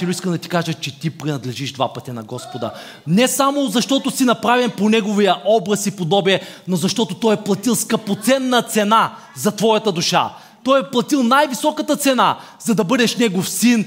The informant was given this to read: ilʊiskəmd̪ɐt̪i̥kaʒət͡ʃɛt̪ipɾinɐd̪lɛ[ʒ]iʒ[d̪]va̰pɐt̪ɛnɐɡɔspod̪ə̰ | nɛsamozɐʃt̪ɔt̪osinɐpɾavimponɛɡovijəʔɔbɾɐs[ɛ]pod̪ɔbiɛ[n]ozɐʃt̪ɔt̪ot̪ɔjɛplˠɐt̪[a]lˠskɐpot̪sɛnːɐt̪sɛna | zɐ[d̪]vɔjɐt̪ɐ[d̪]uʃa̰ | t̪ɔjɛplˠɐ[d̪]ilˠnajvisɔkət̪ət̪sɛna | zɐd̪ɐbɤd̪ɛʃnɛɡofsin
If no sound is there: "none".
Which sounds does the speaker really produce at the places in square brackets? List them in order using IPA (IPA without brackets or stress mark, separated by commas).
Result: ʒ, d̪, i, n, i, t̪, d̪, t̪